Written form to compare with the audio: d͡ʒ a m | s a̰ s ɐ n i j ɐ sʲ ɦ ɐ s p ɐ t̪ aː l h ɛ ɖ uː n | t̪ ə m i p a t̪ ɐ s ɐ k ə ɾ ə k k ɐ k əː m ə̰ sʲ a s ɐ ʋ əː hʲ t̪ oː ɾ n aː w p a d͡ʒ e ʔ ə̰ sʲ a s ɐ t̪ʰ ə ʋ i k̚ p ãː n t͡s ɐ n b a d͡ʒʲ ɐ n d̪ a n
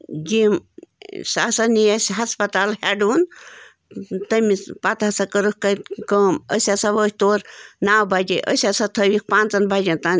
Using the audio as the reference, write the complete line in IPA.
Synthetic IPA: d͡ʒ i m | s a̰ s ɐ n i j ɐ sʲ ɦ ɐ s p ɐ t̪ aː l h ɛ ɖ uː n | t̪ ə m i p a t̪ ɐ s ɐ k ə ɾ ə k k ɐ k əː m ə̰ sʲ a s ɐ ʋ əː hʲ t̪ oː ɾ n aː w b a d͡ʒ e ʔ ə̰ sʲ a s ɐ t̪ʰ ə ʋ i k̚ p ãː n t͡s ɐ n b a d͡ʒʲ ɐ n t̪ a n